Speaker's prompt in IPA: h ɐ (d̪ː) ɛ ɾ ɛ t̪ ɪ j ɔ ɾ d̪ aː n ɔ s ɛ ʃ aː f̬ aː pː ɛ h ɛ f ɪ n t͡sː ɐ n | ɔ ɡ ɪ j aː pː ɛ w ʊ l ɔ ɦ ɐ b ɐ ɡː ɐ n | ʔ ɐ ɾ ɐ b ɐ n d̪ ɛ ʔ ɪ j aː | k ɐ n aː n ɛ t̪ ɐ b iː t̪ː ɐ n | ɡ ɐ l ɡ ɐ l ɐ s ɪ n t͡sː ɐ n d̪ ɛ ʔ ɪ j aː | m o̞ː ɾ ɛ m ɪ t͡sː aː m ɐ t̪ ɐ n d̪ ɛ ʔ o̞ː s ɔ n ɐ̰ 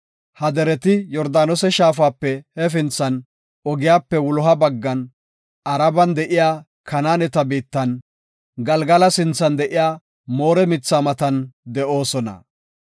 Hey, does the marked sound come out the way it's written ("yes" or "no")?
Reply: no